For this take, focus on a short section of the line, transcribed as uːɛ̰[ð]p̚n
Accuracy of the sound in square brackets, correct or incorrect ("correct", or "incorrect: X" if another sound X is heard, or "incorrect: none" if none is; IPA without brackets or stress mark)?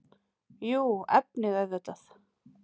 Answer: incorrect: none